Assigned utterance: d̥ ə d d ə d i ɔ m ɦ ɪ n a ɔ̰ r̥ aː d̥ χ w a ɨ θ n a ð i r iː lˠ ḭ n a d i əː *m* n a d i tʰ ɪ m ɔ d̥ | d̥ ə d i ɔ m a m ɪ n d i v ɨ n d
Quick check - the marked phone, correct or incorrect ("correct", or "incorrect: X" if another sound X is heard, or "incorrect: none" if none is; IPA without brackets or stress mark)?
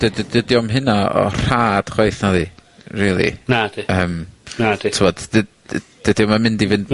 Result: correct